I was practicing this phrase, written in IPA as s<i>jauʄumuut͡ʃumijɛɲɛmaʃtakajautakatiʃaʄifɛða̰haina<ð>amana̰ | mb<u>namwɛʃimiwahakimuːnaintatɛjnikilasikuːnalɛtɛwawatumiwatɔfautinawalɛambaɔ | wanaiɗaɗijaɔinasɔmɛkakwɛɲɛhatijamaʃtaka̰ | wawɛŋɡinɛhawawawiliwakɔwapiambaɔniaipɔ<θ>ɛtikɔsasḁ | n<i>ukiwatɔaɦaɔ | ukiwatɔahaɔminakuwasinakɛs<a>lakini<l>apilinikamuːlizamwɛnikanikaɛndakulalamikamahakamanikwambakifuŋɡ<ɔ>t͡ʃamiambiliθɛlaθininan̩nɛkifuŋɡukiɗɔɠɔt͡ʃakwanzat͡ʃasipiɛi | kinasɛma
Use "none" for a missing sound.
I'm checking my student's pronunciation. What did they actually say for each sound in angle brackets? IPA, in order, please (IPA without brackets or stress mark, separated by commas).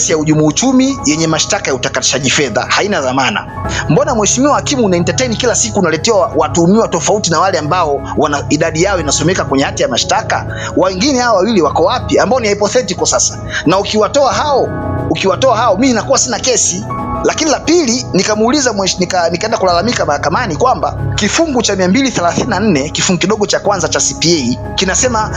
i, ð, ɔ, θ, a, i, l, u